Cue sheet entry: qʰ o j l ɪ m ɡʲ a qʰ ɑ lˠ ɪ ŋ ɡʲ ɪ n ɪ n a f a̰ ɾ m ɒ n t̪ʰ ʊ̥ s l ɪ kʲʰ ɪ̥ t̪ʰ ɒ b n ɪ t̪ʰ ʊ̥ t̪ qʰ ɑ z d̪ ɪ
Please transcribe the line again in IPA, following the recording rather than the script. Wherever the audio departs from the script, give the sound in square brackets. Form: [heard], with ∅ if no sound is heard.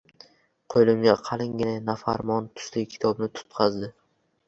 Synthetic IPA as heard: qʰ o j l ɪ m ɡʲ a qʰ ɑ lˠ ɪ ŋ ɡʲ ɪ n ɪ n a f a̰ ɾ m ɒ n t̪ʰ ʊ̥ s l ɪ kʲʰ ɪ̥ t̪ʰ ɒ b n ɪ t̪ʰ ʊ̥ t̪ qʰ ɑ z d̪ ɪ